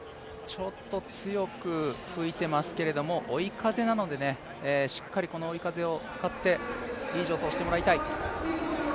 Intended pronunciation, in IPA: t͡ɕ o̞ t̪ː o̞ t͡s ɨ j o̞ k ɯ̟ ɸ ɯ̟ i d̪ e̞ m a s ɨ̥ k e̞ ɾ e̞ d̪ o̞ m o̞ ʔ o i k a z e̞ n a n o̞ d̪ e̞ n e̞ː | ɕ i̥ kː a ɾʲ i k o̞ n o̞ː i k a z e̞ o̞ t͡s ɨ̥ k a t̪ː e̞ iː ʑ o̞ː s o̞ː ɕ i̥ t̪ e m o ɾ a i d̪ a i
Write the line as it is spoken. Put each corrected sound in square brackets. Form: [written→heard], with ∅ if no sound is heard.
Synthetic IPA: t͡ɕ o̞ t̪ː o̞ t͡s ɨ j o̞ k ɯ̟ ɸ ɯ̟ i [d̪→t̪] e̞ m a s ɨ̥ k e̞ ɾ e̞ d̪ o̞ m o̞ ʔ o i k a z e̞ n a n o̞ d̪ e̞ n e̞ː | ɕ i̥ kː a ɾʲ i k o̞ n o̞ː i k a z e̞ o̞ t͡s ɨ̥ k a t̪ː e̞ iː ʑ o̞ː s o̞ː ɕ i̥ t̪ e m o ɾ a i [d̪→t̪] a i